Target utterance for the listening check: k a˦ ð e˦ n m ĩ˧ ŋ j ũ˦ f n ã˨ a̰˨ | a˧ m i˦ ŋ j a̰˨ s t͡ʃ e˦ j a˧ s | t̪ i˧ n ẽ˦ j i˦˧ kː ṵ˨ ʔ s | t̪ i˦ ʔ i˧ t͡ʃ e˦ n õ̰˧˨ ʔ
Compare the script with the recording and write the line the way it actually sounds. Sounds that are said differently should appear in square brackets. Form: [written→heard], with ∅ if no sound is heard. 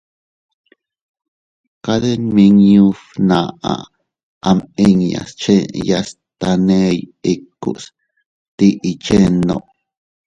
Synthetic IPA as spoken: k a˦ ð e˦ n m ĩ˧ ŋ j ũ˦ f n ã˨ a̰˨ | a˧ m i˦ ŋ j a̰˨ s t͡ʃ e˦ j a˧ s | t̪ [i˧→a˧] n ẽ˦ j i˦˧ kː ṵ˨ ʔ s | t̪ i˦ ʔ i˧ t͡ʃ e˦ n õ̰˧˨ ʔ